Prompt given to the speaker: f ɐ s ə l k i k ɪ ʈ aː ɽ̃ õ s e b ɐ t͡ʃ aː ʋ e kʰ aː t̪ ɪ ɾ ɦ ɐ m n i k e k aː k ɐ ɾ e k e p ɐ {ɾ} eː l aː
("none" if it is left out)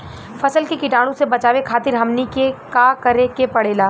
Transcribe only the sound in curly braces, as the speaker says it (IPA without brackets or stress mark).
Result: ɽ